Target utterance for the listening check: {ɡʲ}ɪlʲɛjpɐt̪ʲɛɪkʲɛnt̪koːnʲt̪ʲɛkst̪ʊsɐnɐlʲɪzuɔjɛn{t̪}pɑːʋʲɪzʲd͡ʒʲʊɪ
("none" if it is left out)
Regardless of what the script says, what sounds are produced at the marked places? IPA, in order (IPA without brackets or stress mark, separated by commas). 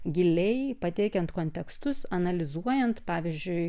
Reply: ɡʲ, t̪